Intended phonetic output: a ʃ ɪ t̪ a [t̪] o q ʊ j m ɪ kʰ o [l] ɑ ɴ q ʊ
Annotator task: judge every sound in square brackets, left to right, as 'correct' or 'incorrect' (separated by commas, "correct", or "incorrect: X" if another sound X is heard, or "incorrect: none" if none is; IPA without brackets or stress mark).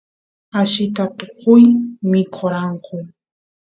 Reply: correct, incorrect: ɾ